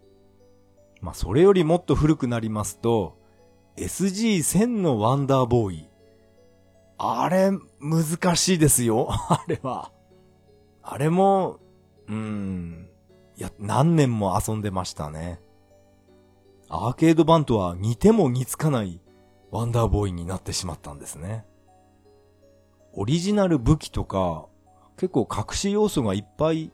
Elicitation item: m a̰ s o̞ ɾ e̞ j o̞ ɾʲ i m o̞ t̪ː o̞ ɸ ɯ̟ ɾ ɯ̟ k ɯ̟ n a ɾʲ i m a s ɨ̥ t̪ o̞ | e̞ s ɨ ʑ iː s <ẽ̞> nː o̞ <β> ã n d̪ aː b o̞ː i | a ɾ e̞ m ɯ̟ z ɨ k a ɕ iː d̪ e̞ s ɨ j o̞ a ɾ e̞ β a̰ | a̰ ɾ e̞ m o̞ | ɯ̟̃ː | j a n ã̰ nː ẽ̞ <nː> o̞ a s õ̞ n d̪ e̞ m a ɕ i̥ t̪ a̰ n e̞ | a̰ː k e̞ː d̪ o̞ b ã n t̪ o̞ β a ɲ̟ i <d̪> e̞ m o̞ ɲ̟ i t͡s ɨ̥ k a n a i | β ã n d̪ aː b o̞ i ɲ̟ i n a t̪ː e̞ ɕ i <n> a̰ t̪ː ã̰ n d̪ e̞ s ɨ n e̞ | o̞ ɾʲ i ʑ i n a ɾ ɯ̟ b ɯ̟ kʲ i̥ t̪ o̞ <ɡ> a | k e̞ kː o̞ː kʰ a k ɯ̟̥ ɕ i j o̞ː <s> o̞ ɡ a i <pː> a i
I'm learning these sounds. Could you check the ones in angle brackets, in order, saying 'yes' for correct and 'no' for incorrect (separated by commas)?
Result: yes, yes, no, no, no, no, yes, yes